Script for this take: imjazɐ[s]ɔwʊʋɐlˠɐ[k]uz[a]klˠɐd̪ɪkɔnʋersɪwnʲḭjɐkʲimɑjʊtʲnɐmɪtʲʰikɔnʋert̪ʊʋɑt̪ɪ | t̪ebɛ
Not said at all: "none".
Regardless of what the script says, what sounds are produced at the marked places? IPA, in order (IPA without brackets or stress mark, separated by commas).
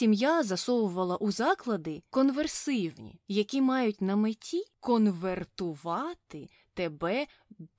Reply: s, ʔ, ɑ